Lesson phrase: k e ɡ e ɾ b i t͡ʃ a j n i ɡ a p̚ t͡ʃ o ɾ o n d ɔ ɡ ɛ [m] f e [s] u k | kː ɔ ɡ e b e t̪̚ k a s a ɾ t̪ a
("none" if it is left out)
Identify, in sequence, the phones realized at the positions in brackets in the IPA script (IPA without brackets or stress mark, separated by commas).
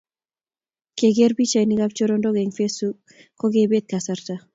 ŋ, s